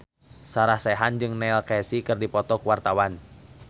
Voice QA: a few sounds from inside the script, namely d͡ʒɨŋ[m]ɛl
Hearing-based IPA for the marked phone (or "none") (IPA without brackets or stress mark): n